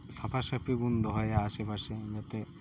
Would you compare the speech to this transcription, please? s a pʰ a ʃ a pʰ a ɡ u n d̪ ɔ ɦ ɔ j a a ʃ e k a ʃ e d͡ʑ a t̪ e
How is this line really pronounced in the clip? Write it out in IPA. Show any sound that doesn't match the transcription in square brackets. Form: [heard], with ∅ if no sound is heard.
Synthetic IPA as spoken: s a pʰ a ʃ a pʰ [i] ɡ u n d̪ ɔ ɦ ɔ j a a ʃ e [p] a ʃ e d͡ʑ a t̪ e

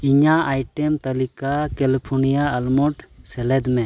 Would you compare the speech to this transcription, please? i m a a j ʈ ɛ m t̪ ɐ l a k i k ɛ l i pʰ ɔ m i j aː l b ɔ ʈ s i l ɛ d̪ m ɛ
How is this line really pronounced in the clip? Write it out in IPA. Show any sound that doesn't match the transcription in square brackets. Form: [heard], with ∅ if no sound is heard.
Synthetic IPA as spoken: i [ɲ] a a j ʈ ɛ m t̪ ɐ l [i] k [a] k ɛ l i pʰ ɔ [n] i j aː l [m] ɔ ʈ s [ɛ] l ɛ d̪ m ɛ

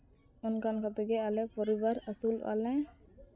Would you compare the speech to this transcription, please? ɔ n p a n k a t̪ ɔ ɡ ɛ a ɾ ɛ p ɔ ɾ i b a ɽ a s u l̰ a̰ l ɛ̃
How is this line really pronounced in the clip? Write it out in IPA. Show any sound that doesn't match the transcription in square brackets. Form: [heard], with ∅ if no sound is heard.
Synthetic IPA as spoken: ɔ n [k] a n k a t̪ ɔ ɡ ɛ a [l] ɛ p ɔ ɾ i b a [ɾ] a s u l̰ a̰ l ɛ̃

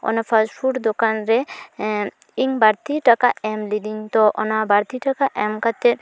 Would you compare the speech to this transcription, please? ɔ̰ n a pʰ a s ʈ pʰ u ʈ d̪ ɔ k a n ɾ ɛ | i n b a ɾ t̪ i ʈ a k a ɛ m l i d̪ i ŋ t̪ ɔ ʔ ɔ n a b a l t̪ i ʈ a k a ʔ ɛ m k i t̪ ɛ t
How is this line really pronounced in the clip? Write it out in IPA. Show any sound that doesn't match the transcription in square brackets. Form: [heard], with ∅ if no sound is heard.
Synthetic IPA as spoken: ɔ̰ n a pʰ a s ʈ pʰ u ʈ d̪ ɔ k a n ɾ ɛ | i [ŋ] b a ɾ t̪ i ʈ a k a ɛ m l i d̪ i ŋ t̪ ɔ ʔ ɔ n a b a [ɾ] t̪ i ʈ a k a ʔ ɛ m k [a] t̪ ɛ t

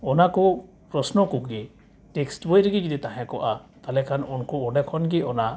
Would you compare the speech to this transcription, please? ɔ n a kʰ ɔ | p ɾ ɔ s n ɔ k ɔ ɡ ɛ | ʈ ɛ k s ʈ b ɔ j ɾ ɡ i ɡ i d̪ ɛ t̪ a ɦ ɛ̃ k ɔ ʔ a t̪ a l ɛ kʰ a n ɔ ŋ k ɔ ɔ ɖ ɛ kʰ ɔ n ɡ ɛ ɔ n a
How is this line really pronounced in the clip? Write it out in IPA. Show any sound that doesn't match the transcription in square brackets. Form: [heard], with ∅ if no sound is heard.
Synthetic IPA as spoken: ɔ n a [k] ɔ | p ɾ ɔ s n ɔ k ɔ ɡ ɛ | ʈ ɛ k s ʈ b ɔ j ɾ ɡ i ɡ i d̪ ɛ t̪ a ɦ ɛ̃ k ɔ ʔ a t̪ a l ɛ kʰ a n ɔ [n] k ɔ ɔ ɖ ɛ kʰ ɔ n ɡ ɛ ɔ n a

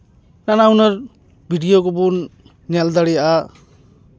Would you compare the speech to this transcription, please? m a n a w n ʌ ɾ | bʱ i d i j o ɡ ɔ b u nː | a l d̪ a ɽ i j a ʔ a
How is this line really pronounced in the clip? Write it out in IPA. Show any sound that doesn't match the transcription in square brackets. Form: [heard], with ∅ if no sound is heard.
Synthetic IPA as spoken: [n] a n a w n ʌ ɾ | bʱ i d i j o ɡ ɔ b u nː | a l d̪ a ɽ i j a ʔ a

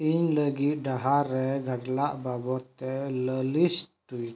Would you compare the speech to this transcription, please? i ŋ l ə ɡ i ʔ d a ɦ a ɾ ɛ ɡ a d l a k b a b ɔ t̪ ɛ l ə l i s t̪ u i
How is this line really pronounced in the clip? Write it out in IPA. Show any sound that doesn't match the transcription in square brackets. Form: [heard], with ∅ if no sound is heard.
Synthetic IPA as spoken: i [ɲ] l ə ɡ i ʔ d a ɦ a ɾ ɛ ɡ a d l a [ʔ] b a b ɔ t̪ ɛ l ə l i s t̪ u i

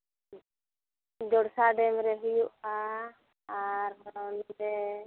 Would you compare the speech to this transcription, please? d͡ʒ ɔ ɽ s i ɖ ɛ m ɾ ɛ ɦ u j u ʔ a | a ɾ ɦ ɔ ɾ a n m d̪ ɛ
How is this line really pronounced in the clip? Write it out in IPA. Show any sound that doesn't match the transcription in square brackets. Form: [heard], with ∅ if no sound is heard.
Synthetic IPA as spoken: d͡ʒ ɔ ɽ s [a] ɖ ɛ m ɾ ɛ ɦ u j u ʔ a | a ɾ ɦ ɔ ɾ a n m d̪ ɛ

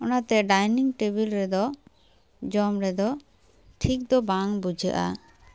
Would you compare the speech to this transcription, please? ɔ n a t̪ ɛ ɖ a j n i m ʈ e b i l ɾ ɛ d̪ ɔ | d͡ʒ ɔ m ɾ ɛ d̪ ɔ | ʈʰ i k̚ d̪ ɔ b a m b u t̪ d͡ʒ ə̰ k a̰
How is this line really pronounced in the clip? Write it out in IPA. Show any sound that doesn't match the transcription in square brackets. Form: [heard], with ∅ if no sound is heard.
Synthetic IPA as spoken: ɔ n a t̪ ɛ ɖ a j n i [ŋ] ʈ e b i l ɾ ɛ d̪ ɔ | d͡ʒ ɔ m ɾ ɛ d̪ ɔ | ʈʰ i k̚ d̪ ɔ b a [ŋ] b u [∅] d͡ʒ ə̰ [ʔ] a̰

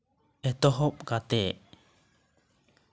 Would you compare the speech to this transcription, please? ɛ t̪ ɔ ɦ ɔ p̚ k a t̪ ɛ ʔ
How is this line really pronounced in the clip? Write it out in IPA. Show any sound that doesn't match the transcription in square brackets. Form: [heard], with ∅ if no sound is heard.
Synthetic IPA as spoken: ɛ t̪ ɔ ɦ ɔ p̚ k a t̪ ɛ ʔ

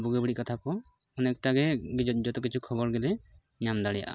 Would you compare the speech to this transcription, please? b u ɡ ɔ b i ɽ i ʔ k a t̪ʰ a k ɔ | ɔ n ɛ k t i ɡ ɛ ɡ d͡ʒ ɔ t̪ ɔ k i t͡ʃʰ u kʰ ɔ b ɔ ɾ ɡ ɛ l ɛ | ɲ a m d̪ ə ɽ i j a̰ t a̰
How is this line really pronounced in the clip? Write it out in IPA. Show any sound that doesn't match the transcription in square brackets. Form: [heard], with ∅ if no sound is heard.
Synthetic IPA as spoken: b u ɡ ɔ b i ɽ i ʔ k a t̪ʰ a k ɔ | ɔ n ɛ k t [a] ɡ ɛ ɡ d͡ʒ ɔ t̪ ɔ k i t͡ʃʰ u kʰ ɔ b ɔ ɾ ɡ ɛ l ɛ | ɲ a m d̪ [a] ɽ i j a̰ [ʔ] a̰

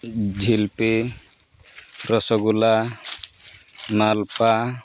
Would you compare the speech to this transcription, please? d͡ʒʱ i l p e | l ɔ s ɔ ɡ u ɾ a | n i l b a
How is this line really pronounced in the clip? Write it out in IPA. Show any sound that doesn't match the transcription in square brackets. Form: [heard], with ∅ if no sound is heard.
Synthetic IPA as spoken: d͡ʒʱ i l p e | [ɾ] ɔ s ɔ ɡ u [l] a | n [a] l [p] a

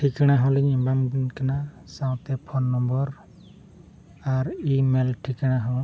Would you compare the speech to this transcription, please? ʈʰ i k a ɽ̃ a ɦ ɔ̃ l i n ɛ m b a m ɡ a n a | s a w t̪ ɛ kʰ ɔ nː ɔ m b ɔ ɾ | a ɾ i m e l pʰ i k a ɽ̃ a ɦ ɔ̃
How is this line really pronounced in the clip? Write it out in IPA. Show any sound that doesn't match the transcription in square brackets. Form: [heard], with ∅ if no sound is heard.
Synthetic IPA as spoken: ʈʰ i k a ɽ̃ a ɦ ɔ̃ l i [ɲ] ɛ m b a m [k] a n a | s a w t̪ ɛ [pʰ] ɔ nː ɔ m b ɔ ɾ | a ɾ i m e l [ʈʰ] i k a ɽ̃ a ɦ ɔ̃

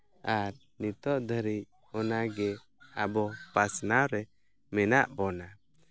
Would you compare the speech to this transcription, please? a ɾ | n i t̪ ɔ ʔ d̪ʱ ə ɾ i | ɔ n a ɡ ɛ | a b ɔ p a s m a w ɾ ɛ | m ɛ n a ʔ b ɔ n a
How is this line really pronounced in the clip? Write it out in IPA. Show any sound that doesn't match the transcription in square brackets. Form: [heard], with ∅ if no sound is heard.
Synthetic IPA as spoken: a ɾ | n i t̪ ɔ ʔ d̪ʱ ə ɾ i | ɔ n a ɡ ɛ | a b ɔ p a s [n] a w ɾ ɛ | m ɛ n a ʔ b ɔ n a

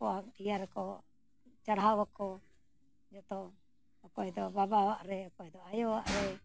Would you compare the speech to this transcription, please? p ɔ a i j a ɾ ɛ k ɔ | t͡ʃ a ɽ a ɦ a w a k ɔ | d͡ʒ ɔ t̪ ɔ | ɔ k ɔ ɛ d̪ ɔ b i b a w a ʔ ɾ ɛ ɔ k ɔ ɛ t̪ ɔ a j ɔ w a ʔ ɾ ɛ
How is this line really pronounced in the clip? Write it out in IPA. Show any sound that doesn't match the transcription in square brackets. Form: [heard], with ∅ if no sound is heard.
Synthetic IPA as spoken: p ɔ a i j a ɾ ɛ k ɔ | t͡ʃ a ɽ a ɦ a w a k ɔ | d͡ʒ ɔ t̪ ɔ | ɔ k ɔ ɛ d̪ ɔ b [a] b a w a ʔ ɾ ɛ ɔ k ɔ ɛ [d̪] ɔ a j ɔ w a ʔ ɾ ɛ

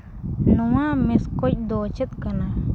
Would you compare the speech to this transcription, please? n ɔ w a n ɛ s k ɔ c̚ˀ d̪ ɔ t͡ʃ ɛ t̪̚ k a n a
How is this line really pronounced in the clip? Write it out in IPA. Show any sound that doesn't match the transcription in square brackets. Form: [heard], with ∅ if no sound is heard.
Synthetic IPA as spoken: n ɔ w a [m] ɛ s k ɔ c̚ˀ d̪ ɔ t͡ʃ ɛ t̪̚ k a n a

